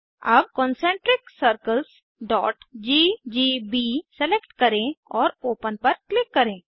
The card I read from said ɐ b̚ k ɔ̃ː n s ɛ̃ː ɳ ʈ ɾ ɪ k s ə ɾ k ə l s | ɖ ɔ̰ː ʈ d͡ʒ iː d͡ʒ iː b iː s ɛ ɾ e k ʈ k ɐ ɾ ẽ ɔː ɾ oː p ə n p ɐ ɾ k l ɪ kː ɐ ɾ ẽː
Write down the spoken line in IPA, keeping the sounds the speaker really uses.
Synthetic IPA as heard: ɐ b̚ k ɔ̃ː n s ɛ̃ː ɳ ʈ ɾ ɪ k s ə ɾ k ə l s | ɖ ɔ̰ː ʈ d͡ʒ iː d͡ʒ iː b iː s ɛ l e k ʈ k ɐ ɾ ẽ ɔː ɾ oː p ə n p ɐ ɾ k l ɪ kː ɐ ɾ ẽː